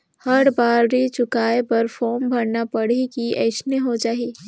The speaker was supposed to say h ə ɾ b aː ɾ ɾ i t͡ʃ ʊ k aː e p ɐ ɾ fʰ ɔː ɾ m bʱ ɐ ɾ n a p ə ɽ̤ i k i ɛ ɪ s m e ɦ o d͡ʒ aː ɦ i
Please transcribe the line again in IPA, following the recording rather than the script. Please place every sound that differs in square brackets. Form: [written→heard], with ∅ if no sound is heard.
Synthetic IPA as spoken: h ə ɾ b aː ɾ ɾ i t͡ʃ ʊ k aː e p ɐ ɾ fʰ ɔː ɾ m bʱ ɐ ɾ n a p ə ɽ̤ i k i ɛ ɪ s [m→n] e ɦ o d͡ʒ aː ɦ i

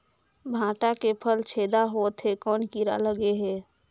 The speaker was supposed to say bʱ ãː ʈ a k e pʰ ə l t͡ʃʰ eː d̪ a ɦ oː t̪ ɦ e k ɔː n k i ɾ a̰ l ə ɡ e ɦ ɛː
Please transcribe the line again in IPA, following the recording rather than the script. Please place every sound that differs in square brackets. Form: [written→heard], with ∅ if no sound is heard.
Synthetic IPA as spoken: bʱ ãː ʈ a k e pʰ ə l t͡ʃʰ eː d̪ a ɦ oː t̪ ɦ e k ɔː n k i ɾ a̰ l ə ɡ e ɦ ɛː

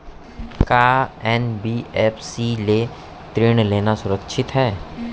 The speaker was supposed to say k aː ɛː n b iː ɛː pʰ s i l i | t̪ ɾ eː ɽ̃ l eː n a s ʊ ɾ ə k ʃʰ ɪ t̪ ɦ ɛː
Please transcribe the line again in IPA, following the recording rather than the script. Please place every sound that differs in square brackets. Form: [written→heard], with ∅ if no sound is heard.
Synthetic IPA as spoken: k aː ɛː n b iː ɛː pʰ s i l [i→e] | t̪ ɾ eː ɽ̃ l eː n a s ʊ ɾ ə k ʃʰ ɪ t̪ ɦ ɛː

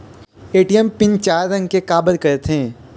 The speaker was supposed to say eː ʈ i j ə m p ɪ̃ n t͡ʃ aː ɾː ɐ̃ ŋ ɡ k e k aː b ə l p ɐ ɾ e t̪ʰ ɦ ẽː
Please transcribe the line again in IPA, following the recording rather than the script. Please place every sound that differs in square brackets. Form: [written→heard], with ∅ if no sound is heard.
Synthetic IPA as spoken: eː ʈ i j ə m p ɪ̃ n t͡ʃ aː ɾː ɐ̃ ŋ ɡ k e k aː b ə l [p→k] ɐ ɾ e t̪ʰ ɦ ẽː

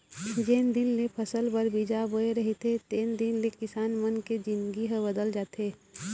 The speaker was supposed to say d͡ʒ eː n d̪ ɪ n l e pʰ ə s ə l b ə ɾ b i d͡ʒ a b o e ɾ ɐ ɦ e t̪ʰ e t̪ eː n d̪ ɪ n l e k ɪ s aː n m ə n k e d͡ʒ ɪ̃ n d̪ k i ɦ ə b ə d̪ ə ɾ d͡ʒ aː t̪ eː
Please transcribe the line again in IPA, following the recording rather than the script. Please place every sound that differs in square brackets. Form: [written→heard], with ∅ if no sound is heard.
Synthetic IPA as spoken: d͡ʒ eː n d̪ ɪ n l e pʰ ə s ə l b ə ɾ b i d͡ʒ a b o e ɾ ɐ ɦ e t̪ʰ e t̪ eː n d̪ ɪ n l e k ɪ s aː n m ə n k e d͡ʒ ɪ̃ n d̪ [k→ɡ] i ɦ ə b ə d̪ ə [ɾ→l] d͡ʒ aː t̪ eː

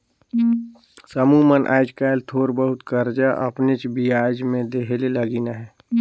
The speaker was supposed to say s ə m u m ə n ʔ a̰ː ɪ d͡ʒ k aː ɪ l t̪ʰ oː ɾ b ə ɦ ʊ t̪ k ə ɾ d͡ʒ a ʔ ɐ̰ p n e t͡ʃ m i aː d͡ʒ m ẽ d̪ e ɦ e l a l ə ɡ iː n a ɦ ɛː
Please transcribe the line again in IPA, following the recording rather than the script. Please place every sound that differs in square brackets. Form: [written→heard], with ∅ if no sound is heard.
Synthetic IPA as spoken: s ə m u m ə n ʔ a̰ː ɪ d͡ʒ k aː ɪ l t̪ʰ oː ɾ b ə ɦ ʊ t̪ k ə ɾ d͡ʒ a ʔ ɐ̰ p n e t͡ʃ [m→b] i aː d͡ʒ m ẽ d̪ e ɦ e l [a→e] l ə ɡ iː n a ɦ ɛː

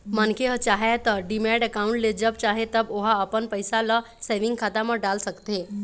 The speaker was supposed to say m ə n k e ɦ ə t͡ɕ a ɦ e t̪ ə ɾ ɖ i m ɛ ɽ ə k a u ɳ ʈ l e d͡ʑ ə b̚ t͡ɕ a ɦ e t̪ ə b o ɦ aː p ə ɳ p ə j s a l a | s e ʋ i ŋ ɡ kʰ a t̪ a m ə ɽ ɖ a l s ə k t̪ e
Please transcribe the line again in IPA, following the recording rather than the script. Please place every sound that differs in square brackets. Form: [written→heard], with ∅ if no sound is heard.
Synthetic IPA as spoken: m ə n k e ɦ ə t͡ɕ a ɦ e t̪ ə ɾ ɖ i m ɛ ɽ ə k a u ɳ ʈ l e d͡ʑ ə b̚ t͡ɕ a ɦ e t̪ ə b o ɦ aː p ə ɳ p ə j s a l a | s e ʋ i ŋ ɡ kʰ a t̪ a m ə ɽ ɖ a l s ə k t̪ e

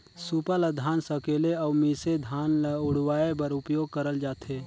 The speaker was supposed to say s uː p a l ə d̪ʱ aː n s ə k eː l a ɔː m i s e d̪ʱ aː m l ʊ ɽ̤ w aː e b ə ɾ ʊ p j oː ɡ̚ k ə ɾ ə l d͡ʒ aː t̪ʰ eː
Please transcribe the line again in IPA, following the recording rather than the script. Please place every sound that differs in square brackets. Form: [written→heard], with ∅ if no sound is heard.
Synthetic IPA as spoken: s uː p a l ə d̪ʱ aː n s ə k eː l [a→e] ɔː m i s e d̪ʱ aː [m→n] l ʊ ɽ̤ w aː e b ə ɾ ʊ p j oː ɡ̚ k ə ɾ ə l d͡ʒ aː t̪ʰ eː

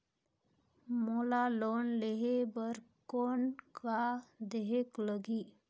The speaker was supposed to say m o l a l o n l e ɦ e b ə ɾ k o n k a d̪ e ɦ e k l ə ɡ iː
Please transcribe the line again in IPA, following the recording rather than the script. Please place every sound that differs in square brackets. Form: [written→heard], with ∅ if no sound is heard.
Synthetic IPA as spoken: m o l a l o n l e ɦ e b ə ɾ k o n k a d̪ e ɦ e k l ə ɡ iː

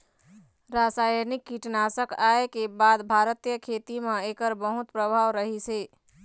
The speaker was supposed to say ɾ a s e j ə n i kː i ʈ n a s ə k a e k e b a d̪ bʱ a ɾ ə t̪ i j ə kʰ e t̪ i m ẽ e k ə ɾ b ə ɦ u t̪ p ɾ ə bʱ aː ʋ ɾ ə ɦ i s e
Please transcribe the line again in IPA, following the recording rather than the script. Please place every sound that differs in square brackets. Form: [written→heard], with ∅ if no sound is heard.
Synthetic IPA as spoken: ɾ a s [e→a] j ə n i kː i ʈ n a s ə k a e k e b a d̪ bʱ a ɾ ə t̪ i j ə kʰ e t̪ i m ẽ e k ə ɾ b ə ɦ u t̪ p ɾ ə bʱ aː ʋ ɾ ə ɦ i s e

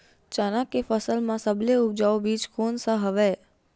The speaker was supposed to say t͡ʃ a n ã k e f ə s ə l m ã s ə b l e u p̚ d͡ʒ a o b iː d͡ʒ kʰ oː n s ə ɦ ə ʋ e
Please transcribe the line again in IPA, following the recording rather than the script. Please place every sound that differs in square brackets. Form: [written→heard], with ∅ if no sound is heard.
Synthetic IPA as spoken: t͡ʃ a n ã k e f ə s ə l m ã s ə b l e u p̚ d͡ʒ a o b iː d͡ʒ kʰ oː n s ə ɦ ə ʋ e

